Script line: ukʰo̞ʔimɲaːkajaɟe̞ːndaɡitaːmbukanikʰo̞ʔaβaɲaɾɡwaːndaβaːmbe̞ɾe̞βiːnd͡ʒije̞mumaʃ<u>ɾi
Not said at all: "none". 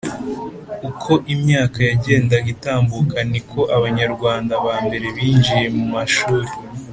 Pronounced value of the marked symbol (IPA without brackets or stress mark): uː